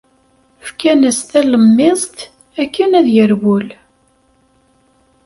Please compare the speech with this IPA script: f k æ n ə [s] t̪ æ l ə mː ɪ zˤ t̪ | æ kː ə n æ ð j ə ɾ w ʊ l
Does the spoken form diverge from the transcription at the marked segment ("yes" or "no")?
no